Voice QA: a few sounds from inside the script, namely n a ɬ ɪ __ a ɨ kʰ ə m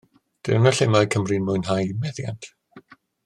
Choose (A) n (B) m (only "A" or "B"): B